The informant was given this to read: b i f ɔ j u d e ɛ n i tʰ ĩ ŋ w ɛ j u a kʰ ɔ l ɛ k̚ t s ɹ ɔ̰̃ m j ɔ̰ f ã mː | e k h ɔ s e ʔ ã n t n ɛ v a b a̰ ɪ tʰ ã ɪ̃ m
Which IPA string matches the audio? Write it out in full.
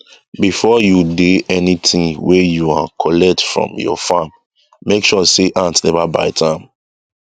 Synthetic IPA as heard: b i f ɔ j u d e ɛ n i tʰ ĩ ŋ w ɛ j u a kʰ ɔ l ɛ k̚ t f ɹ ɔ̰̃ m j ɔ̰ f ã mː | e k ʃ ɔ s e ʔ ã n t n ɛ v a b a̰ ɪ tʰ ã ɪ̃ m

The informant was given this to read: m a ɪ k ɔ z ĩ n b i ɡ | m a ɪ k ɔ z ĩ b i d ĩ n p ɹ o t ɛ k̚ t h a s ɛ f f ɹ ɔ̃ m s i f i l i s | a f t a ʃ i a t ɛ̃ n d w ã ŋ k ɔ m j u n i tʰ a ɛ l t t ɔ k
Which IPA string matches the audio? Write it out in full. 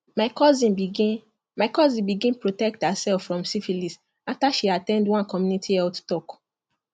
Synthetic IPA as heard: m a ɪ k ɔ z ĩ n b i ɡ | m a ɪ k ɔ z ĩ b i ɡ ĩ n p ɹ o t ɛ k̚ t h a s ɛ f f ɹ ɔ̃ m s i f i l i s | a f t a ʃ i a t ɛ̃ n d w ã n k ɔ m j u n i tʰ i ɛ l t t ɔ k

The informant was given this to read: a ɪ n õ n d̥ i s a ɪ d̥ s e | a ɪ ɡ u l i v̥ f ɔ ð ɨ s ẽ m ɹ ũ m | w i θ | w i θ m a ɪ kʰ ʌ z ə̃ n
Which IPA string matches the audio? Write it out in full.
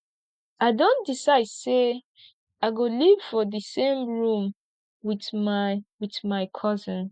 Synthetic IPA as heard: a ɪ d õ n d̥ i s a ɪ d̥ s e | a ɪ ɡ o l i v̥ f ɔ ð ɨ s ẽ m ɹ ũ m | w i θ | w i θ m a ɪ kʰ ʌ z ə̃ n

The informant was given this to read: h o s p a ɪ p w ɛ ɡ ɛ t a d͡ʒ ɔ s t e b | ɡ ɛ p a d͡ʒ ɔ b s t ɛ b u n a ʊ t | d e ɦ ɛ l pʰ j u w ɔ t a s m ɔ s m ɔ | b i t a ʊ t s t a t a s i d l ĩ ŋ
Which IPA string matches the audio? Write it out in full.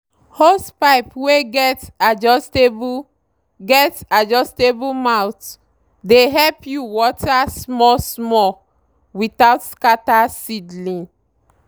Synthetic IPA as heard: h o s p a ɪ p w e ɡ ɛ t a d͡ʒ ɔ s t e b | ɡ ɛ t a d͡ʒ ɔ s t e b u m a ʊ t | d e ɦ ɛ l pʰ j u w ɔ t a s m ɔ s m ɔ | w i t a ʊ t s k a t a s i d l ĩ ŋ

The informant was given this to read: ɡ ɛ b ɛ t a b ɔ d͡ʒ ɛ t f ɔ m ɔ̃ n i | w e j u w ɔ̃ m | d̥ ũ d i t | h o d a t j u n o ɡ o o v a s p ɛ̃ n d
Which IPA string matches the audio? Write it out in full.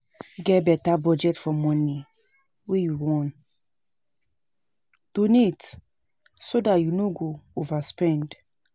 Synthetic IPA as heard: ɡ ɛ b ɛ t a b ɔ d͡ʒ ɛ t f ɔ m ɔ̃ n i | w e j u w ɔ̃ n | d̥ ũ n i t | s o d a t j u n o ɡ o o v a s p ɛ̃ n d

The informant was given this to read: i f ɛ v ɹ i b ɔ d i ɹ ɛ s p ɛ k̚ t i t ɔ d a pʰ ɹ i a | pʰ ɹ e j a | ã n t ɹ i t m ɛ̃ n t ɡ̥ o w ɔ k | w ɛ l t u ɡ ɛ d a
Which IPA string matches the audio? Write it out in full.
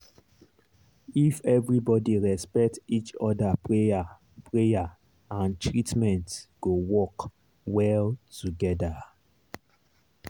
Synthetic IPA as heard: i f ɛ v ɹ i b ɔ d i ɹ ɛ s p ɛ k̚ t i t͡ʃ ɔ d a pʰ ɹ e a | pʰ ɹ e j a | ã n t ɹ i t m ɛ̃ n t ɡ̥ o w ɔ k | w ɛ l t u ɡ ɛ d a

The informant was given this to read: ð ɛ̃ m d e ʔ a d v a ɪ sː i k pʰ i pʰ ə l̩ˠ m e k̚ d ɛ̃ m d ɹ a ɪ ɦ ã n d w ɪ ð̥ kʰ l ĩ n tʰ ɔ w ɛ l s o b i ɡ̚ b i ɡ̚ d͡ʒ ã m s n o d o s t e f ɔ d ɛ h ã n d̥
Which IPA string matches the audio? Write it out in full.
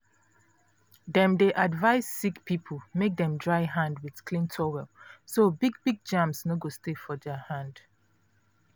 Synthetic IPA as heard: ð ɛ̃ m d e ʔ a d v a ɪ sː i k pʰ i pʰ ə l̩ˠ m e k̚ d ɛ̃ m d ɹ a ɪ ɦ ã n d w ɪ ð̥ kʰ l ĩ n tʰ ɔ w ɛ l s o b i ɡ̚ b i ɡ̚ d͡ʒ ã m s n o ɡ o s t e f ɔ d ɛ h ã n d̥

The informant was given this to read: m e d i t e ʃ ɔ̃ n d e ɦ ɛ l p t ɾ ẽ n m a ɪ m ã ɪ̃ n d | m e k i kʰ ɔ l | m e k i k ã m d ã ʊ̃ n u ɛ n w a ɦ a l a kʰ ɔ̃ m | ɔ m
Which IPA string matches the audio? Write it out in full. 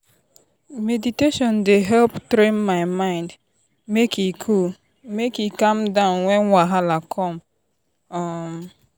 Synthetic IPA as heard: m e d i t e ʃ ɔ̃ n d e ɦ ɛ l p t ɾ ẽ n m a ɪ m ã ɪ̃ n d | m e k i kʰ u l | m e k i k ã m d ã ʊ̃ n w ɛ n w a ɦ a l a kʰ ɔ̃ m | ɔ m

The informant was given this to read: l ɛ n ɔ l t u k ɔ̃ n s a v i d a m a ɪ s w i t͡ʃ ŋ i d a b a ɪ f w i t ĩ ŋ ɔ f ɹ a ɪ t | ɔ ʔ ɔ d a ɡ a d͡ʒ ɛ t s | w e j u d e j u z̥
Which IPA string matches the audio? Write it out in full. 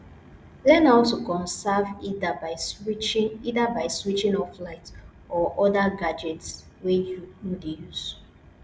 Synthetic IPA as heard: l ɛ n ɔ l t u k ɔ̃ n s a v i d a b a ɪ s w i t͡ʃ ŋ i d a b a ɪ s w i t͡ʃ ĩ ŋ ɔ f l a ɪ t | ɔ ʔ ɔ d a ɡ a d͡ʒ ɛ t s | w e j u d e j u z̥

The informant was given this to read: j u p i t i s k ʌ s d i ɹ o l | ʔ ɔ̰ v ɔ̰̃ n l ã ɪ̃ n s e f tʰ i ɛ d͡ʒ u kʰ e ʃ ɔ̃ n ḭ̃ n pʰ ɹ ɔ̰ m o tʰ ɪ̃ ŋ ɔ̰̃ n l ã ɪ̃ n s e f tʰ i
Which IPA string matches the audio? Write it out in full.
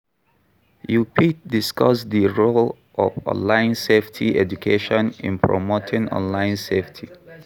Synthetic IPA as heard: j u p i d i s k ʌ s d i ɹ o l | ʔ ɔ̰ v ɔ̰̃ n l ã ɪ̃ n s e f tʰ i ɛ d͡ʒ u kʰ e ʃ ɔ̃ n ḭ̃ n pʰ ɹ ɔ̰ m o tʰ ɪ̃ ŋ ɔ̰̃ n l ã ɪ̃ n s e f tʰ i

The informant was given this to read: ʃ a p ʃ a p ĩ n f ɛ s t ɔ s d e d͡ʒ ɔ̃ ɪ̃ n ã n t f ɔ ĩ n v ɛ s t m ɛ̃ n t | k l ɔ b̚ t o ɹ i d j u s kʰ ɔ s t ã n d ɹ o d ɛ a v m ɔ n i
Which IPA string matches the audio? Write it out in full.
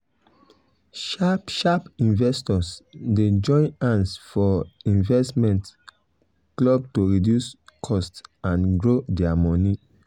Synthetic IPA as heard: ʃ a p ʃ a p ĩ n v ɛ s t ɔ s d e d͡ʒ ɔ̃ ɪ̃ n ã n s f ɔ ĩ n v ɛ s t m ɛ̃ n t | k l ɔ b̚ t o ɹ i d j u s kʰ ɔ s t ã n ɡ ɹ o d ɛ a m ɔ n i

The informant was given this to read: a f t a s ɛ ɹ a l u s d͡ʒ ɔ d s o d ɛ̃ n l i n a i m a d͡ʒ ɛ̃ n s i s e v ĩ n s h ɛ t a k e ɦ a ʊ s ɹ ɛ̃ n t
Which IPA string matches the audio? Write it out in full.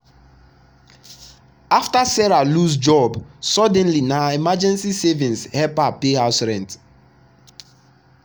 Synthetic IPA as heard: a f t a s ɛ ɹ a l u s d͡ʒ ɔ b s ɔ d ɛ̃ n l i n a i m a d͡ʒ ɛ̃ n s i s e v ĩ n s h ɛ p a p e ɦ a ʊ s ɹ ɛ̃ n t

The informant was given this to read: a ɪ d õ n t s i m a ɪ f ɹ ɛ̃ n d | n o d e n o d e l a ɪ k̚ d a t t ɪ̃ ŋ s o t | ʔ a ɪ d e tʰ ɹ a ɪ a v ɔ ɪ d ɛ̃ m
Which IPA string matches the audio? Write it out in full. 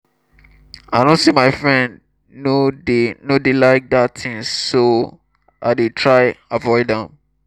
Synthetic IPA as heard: a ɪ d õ n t s i m a ɪ f ɹ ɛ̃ n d | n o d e n o d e l a ɪ k̚ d a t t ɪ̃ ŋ s o | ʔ a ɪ d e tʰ ɹ a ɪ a v ɔ ɪ d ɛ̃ m

